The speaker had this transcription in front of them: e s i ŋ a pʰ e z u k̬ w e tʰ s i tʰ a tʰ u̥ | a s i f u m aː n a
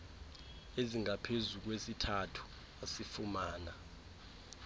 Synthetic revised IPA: e z i ŋ a pʰ e z u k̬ w e s i tʰ a tʰ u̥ | a s i f u m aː n a